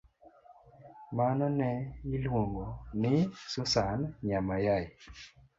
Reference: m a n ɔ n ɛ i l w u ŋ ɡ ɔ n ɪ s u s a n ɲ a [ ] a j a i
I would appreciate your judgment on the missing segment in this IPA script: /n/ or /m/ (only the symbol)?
m